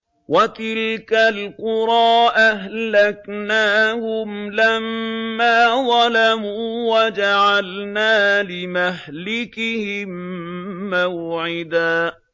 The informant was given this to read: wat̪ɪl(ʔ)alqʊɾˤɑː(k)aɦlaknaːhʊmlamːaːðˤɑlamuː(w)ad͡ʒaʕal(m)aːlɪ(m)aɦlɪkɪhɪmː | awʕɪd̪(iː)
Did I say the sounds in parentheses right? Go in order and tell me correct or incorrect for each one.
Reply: incorrect, incorrect, correct, incorrect, correct, incorrect

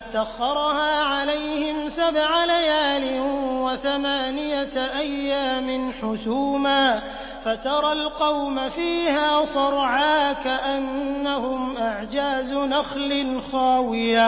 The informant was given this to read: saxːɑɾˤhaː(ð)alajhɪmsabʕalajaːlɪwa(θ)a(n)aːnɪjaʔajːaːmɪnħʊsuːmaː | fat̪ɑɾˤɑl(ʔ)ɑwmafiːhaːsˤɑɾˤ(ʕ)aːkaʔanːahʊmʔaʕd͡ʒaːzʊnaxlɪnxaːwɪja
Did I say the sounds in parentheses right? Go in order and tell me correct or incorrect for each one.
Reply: incorrect, correct, incorrect, incorrect, correct

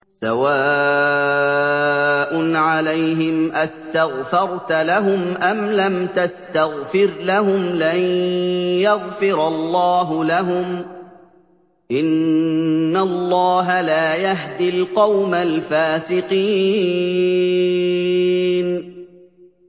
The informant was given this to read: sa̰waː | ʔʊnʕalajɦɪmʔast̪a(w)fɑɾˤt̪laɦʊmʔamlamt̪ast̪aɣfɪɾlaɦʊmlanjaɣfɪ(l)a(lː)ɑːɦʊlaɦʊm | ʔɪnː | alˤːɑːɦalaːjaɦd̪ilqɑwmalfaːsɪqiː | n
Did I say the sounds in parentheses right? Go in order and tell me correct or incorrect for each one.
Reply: incorrect, incorrect, correct

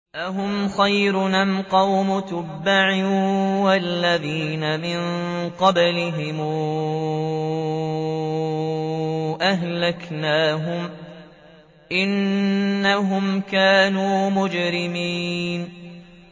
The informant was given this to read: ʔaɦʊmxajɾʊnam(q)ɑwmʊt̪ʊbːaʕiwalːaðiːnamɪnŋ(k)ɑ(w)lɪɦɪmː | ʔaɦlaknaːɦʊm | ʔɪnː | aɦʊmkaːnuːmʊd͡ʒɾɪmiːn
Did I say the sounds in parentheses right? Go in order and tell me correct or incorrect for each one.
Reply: correct, incorrect, incorrect

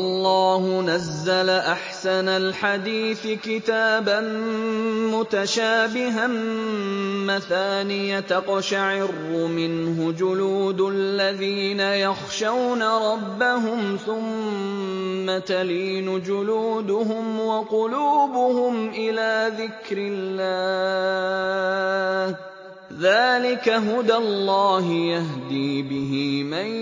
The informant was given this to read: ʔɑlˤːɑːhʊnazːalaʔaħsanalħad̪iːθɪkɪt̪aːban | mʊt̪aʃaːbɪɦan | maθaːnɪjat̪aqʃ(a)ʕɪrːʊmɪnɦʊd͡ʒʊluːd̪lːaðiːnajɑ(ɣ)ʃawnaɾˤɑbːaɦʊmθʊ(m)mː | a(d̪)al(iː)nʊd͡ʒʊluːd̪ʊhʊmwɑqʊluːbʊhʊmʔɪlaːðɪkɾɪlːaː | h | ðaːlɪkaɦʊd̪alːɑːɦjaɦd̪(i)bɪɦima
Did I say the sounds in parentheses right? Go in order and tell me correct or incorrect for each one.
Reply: correct, incorrect, correct, incorrect, correct, incorrect

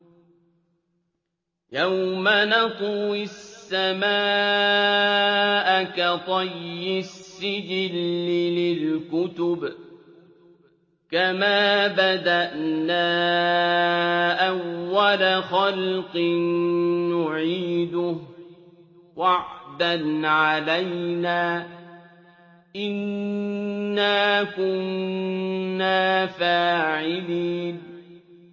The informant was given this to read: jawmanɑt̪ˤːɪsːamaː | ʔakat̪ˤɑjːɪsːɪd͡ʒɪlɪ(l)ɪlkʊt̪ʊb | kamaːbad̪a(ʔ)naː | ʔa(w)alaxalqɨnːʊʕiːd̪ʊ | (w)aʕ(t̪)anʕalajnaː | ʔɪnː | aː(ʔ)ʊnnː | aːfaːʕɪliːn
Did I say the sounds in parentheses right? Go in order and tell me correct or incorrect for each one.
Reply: correct, correct, incorrect, correct, incorrect, incorrect

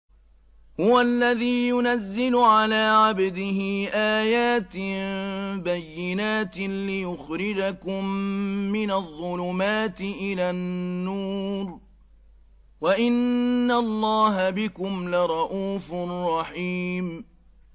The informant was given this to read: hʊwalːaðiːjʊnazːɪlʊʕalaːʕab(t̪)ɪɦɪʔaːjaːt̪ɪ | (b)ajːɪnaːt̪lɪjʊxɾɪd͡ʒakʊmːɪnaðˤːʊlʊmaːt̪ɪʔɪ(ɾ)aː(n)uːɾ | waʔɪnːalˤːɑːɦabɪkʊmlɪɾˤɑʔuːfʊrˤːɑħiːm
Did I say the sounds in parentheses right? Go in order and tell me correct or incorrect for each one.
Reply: incorrect, correct, incorrect, incorrect

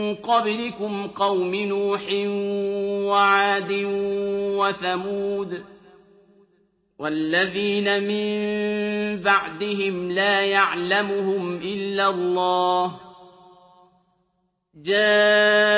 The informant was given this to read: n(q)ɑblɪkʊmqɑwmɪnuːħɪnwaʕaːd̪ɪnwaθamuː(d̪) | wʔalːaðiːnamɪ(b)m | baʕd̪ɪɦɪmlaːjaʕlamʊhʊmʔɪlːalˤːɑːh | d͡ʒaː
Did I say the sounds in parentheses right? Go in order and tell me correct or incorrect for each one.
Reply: correct, correct, incorrect

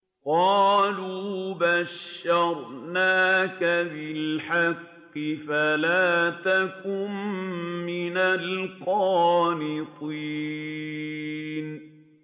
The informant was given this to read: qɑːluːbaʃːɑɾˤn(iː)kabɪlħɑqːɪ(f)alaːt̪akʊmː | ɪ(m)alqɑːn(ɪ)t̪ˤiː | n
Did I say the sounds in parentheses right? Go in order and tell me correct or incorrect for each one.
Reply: incorrect, correct, incorrect, correct

